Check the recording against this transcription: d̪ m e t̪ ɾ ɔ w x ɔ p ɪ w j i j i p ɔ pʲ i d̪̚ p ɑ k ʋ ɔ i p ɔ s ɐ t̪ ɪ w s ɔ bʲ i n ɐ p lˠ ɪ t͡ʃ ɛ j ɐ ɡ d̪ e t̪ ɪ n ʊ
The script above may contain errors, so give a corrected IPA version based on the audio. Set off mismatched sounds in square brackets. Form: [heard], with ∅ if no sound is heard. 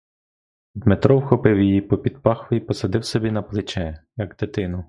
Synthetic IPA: d̪ m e t̪ ɾ ɔ w x ɔ p ɪ w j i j i p ɔ pʲ i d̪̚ p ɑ [x] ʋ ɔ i p ɔ s ɐ [d̪] ɪ w s ɔ bʲ i n ɐ p lˠ ɪ t͡ʃ ɛ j ɐ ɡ d̪ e t̪ ɪ n ʊ